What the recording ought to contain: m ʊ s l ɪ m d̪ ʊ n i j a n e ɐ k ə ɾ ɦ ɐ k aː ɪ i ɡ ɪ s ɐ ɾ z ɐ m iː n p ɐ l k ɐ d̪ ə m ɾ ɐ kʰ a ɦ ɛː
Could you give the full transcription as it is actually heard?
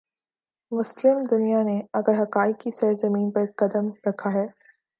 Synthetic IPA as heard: m ʊ s l ɪ m d̪ ʊ n i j a n e ɐ ɡ ə ɾ ɦ ɐ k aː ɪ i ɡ i s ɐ ɾ z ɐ m iː n p ɐ ɾ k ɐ d̪ ə m ɾ ɐ kʰ a ɦ ɛː